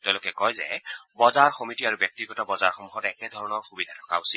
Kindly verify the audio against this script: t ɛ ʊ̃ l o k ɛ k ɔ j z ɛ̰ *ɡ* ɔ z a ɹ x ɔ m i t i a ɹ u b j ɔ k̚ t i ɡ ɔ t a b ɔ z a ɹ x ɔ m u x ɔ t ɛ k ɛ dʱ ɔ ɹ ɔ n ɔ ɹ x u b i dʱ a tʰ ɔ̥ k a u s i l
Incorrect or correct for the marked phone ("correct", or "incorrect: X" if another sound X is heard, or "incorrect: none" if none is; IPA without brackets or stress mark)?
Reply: incorrect: b